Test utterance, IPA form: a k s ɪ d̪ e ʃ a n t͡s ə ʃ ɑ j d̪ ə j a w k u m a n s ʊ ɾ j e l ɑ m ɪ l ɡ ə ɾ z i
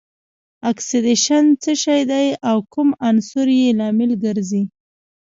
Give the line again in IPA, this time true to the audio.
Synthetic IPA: a k s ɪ d̪ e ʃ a n t͡s ə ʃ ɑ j d̪ a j a w k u m a n s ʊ ɾ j e l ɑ m ɪ l ɡ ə ɾ z i